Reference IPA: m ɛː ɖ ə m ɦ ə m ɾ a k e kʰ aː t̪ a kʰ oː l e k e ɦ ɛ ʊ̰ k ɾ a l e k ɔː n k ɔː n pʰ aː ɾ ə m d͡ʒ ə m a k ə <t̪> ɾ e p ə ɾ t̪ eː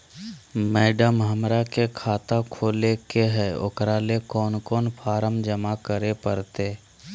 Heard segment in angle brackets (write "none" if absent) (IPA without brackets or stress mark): none